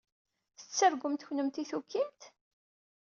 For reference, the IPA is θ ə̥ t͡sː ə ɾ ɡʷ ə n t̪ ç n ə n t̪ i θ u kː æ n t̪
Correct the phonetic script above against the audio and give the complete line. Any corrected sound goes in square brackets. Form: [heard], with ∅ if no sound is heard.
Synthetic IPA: θ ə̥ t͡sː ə ɾ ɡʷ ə [m] t̪ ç n ə [m] t̪ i θ u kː [i] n t̪